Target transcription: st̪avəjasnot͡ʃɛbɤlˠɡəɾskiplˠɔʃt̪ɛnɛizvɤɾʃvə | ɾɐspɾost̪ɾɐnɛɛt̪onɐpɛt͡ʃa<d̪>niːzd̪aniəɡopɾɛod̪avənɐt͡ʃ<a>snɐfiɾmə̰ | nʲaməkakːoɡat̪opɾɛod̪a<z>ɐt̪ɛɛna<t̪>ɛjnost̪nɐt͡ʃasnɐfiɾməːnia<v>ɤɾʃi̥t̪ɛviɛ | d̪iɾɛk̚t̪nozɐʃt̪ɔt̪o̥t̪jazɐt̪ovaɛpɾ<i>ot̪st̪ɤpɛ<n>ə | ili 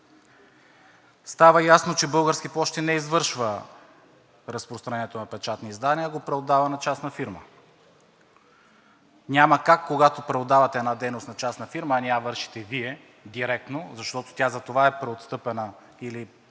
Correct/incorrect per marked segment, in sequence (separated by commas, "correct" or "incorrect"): incorrect, correct, incorrect, incorrect, correct, incorrect, correct